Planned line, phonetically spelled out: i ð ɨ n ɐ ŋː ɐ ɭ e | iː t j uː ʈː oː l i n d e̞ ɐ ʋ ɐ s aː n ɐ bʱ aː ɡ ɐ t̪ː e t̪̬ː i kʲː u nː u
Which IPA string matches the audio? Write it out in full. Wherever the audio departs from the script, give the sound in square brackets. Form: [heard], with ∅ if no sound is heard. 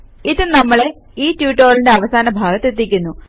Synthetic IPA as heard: i ð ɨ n ɐ [mː] ɐ ɭ e | iː t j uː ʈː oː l i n d e̞ ɐ ʋ ɐ s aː n ɐ bʱ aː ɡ ɐ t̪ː e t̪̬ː i kʲː u nː u